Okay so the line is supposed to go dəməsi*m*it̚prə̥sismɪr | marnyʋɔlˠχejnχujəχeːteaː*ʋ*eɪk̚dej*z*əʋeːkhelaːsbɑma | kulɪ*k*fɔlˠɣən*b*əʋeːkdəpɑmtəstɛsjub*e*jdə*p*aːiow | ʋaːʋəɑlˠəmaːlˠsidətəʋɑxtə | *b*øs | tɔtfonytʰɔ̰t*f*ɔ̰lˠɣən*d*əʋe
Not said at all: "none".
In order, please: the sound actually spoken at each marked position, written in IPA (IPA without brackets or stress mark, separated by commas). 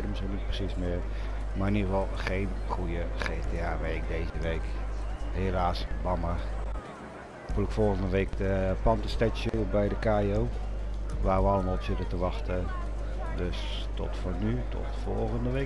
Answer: n, ʋ, z, k, d, ɛ, k, d, f, d